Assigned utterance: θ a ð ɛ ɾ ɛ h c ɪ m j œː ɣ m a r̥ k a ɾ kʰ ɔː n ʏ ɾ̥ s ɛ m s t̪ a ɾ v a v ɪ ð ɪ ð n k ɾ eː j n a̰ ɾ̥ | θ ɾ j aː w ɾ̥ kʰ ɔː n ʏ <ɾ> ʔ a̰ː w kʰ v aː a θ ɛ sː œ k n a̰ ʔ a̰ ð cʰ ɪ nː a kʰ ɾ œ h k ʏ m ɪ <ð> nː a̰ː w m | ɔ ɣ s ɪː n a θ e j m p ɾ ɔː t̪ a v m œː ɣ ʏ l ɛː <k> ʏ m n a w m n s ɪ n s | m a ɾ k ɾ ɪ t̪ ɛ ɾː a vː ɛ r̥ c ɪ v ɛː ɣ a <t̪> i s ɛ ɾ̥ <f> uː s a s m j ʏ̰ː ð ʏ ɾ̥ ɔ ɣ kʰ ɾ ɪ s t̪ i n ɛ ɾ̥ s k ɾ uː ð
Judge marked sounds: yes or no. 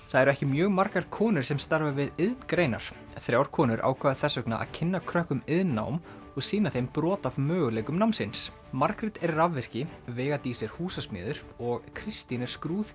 yes, yes, yes, yes, no

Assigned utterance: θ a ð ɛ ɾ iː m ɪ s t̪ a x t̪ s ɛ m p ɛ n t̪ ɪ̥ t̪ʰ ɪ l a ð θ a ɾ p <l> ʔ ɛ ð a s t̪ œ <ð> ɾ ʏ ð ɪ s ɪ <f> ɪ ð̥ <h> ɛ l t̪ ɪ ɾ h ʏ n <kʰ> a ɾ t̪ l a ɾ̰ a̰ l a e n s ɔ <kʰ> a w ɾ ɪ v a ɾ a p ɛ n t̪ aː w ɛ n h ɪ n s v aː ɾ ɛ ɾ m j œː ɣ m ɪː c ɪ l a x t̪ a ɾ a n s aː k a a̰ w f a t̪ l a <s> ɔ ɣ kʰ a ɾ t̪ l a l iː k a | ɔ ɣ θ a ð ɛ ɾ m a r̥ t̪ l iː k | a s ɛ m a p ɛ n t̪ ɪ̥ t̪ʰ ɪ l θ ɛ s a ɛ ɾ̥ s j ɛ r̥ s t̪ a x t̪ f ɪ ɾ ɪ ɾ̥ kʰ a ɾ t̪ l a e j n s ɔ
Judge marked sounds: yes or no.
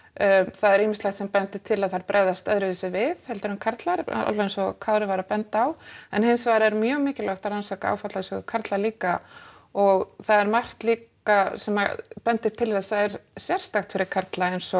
no, yes, no, yes, yes, yes, yes

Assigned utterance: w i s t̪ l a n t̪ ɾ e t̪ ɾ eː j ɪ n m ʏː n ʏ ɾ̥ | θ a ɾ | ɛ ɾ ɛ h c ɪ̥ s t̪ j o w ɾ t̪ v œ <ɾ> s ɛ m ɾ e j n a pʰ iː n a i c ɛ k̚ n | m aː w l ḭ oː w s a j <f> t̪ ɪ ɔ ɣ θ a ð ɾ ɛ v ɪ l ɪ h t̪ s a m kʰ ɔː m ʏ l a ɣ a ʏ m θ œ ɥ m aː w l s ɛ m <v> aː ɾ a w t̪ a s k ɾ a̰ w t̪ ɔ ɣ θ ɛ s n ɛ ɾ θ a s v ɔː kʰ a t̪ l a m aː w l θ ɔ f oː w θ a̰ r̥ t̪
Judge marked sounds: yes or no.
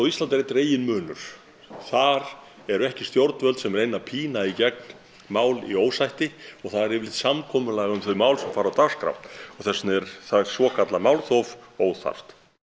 no, no, no

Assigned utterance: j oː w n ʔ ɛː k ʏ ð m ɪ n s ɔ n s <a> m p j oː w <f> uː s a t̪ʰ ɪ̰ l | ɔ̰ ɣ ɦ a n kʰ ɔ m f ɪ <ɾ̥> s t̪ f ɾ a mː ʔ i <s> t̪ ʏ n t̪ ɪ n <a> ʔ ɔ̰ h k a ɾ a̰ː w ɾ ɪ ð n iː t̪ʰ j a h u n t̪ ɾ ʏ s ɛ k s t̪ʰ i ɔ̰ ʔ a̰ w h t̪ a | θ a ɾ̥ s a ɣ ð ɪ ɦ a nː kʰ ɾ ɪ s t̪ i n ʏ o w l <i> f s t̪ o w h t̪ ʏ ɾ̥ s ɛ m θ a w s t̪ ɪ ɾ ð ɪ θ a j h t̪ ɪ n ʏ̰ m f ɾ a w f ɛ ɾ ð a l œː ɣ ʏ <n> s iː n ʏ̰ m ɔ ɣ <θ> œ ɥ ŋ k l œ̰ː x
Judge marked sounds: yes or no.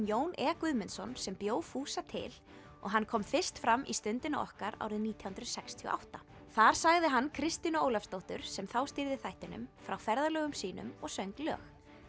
no, yes, no, yes, yes, no, no, no

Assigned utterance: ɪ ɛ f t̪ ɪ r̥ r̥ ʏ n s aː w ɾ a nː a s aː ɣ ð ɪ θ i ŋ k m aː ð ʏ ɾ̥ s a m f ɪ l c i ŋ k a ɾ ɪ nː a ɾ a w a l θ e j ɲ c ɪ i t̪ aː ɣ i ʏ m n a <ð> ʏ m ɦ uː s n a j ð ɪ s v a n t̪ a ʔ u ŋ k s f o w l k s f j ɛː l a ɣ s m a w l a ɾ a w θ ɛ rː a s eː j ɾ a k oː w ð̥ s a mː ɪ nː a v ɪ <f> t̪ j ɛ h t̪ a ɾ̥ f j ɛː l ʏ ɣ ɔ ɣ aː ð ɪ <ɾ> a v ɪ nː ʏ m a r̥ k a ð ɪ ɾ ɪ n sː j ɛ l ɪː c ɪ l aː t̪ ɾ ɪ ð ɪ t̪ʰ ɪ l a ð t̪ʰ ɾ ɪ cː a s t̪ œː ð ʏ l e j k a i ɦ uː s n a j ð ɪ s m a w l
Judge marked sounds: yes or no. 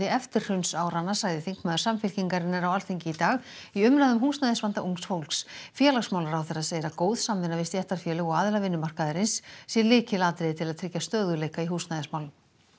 yes, no, no

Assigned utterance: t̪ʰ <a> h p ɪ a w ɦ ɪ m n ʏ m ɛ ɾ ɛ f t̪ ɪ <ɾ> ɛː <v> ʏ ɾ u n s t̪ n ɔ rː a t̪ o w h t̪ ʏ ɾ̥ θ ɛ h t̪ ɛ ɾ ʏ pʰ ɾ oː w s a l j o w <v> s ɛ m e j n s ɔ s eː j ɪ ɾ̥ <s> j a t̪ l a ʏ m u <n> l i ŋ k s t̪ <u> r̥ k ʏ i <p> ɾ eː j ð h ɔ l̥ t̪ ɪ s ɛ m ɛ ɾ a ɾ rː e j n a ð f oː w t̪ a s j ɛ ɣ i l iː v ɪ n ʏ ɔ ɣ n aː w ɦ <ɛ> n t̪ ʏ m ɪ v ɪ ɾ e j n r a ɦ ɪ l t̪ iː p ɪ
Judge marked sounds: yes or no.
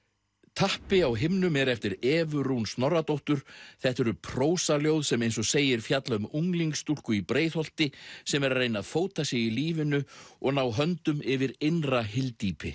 yes, yes, yes, no, no, no, yes, yes, no

